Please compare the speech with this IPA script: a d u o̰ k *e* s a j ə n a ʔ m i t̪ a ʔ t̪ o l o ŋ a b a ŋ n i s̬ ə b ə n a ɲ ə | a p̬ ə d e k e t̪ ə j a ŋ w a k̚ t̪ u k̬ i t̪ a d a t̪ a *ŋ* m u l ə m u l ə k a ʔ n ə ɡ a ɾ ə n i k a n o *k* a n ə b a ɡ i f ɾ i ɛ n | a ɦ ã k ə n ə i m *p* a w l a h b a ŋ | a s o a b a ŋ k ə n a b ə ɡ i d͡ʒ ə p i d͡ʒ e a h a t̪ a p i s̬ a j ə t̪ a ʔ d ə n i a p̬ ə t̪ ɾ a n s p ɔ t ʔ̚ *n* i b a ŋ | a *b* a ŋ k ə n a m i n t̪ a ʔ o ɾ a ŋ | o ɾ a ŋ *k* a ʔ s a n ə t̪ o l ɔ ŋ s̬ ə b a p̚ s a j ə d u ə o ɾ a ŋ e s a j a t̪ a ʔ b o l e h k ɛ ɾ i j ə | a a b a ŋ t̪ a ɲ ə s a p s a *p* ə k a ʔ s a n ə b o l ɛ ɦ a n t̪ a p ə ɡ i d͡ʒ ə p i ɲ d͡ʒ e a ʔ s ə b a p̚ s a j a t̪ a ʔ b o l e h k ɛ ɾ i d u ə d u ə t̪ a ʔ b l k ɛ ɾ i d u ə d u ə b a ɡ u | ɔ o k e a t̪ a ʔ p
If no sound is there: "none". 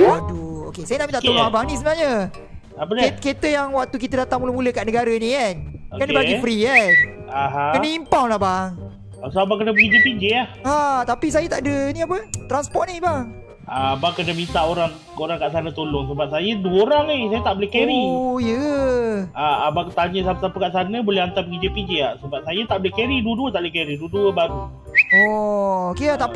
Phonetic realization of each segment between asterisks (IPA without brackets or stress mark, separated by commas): e, ŋ, k, p, n, b, k, p